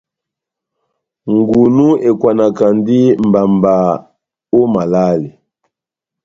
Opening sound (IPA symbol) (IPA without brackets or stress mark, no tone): ŋ